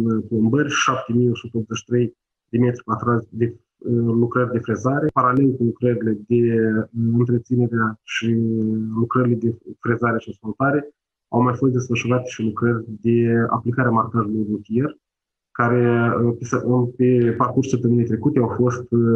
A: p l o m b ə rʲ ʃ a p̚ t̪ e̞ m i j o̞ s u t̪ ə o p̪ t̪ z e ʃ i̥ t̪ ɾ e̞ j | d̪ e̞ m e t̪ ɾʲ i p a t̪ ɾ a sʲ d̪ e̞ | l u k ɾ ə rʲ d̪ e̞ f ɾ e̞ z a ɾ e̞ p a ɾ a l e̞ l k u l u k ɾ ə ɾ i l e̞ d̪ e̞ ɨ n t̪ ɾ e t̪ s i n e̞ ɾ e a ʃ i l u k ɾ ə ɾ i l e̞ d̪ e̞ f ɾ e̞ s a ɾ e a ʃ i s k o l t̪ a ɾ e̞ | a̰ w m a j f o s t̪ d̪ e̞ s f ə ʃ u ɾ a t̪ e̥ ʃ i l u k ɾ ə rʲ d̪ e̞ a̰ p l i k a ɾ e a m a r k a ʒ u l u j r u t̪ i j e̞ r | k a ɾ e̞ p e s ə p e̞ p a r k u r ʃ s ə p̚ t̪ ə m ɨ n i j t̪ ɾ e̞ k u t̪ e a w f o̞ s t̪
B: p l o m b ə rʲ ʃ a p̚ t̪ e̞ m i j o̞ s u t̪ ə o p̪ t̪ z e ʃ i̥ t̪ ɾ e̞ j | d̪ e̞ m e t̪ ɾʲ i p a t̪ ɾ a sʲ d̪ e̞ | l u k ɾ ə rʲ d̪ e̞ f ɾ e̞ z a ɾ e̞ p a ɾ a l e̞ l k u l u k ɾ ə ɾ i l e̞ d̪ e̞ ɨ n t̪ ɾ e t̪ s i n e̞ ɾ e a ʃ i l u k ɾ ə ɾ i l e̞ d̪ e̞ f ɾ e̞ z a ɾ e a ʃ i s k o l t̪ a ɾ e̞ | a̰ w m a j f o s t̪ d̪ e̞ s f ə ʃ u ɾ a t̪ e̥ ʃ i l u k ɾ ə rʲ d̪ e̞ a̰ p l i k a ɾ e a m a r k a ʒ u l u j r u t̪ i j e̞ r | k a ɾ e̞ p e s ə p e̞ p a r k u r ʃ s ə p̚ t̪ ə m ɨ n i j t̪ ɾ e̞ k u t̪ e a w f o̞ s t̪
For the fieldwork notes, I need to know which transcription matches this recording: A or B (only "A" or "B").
B